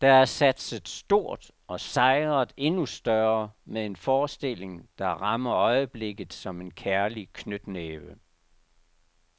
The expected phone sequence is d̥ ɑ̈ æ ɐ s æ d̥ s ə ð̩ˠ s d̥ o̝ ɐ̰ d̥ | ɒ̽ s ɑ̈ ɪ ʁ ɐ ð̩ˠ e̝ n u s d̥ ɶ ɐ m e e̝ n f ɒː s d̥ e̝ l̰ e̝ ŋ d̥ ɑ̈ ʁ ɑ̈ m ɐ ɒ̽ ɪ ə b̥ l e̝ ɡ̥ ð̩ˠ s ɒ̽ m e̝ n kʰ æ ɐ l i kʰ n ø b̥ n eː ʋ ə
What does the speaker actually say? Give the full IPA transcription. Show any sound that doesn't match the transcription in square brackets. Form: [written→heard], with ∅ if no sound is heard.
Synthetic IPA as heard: d̥ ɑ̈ æ ɐ s æ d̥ s ə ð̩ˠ s d̥ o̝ ɐ̰ d̥ | ɒ̽ s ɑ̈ ɪ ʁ ɐ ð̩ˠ e̝ n u s d̥ ɶ ɐ m e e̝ n f ɒː s d̥ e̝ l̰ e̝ ŋ d̥ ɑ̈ ʁ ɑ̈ m ɐ ɒ̽ ɪ ə b̥ l e̝ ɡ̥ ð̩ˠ s ɒ̽ m e̝ n kʰ æ ɐ l i kʰ n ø [b̥→d̥] n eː ʋ ə